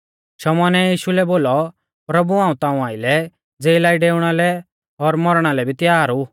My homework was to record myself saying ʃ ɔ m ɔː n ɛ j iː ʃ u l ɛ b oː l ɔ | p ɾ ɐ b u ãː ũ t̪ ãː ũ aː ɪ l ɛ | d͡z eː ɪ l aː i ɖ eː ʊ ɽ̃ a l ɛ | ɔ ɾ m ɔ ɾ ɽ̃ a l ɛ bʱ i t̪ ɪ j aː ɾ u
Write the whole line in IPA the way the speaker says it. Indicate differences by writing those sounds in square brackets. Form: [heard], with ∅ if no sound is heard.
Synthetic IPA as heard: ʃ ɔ m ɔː n ɛ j iː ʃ u l ɛ b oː l ɔ | p ɾ ɐ b u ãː ũ t̪ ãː ũ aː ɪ l ɛ | d͡z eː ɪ l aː i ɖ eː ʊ ɽ̃ a l ɛ | ɔ ɾ m ɔ ɾ ɽ̃ a l ɛ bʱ i t̪ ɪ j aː ɾ u